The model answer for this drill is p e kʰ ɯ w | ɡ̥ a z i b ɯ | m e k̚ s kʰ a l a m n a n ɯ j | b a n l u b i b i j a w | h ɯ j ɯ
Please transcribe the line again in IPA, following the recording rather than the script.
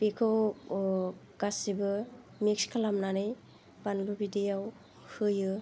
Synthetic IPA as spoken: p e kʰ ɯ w | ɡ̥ a s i b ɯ | m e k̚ s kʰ a l a m n a n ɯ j | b a n l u b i d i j a w | h ɯ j ɯ